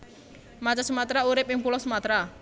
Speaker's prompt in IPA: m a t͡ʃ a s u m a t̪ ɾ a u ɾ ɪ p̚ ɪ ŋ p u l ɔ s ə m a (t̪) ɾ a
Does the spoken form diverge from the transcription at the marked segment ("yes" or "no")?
no